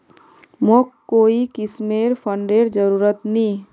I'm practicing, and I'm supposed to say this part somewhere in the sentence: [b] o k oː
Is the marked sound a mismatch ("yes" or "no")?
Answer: yes